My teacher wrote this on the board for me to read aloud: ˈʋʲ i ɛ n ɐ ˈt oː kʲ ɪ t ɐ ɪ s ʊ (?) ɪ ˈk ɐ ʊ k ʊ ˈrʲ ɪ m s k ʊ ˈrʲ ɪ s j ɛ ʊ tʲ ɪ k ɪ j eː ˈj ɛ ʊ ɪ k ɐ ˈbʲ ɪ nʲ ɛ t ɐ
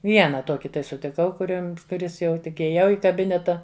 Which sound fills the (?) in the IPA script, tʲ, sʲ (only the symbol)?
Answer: tʲ